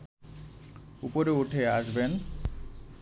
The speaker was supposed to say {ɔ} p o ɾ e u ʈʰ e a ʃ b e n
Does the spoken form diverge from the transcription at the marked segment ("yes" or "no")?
yes